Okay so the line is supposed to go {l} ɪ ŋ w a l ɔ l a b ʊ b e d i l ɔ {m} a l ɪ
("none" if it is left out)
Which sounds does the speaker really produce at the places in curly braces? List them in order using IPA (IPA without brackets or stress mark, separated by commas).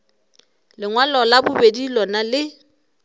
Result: l, n